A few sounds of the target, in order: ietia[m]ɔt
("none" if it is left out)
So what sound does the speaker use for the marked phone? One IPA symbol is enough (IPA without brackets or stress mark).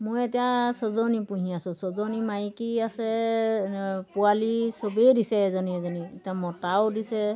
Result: m